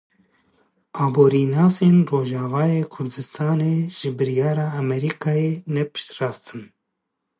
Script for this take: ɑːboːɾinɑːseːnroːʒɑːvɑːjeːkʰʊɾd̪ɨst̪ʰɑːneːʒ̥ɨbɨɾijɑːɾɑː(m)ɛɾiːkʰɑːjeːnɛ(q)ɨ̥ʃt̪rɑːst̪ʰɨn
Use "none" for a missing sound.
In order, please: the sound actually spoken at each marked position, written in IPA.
m, p

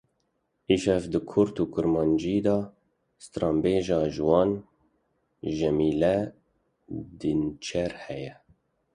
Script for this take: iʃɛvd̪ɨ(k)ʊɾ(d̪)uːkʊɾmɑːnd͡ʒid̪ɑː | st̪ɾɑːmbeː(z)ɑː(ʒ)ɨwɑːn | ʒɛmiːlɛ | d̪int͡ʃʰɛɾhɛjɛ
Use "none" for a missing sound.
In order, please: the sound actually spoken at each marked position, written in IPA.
kʰ, t̪, ʒ, ʒ

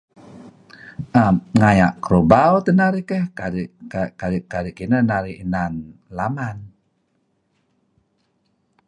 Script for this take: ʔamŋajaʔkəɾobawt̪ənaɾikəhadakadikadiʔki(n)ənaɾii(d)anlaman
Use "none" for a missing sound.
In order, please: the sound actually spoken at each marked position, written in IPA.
n, n

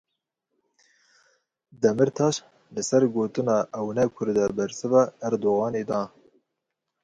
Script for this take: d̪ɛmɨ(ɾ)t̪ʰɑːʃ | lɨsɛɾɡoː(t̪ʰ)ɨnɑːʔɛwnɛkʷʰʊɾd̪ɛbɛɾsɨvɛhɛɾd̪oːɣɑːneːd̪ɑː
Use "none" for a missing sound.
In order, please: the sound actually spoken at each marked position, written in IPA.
ɾ, t̪

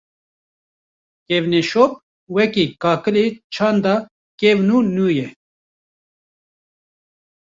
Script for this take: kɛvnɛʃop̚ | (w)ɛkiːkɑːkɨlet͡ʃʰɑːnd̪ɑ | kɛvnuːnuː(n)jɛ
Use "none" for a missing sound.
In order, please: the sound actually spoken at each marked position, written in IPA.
w, none

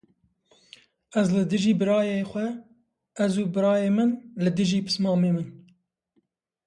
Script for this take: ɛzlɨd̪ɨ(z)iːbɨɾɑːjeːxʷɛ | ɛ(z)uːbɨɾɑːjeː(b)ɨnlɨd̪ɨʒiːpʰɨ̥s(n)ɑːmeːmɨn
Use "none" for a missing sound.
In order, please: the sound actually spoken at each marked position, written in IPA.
ʒ, z, m, m

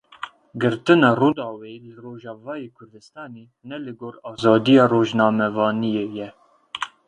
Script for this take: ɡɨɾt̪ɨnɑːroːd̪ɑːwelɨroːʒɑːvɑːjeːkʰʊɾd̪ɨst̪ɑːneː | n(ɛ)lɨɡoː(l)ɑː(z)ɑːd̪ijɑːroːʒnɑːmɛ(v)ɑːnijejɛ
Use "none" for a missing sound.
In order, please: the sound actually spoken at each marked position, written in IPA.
ɛ, ɾ, z, v

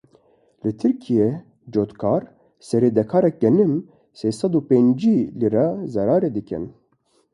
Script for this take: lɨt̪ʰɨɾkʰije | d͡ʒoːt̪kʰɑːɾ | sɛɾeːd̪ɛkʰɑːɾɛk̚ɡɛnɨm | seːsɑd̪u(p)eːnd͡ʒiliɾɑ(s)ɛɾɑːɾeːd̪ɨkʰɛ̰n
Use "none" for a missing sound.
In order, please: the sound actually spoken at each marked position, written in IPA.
p, z

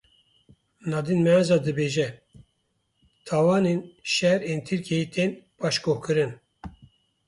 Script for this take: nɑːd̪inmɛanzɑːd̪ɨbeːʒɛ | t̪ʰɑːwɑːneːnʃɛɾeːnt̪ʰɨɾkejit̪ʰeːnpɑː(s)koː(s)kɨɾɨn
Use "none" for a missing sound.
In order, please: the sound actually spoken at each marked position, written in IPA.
ʃ, h

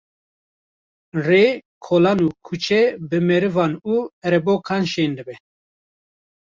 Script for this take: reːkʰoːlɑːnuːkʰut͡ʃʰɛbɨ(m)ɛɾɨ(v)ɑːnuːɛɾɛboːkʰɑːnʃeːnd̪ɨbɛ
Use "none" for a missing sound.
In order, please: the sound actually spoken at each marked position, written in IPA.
m, v

